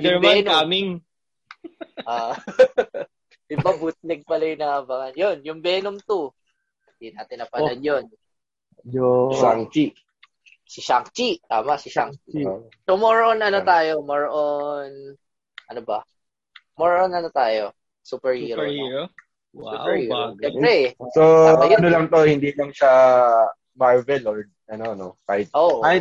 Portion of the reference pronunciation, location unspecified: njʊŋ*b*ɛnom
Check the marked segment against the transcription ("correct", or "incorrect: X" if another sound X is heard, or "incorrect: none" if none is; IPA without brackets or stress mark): correct